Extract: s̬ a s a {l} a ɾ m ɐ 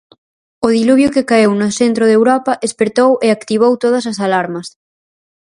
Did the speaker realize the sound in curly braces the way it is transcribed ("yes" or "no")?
yes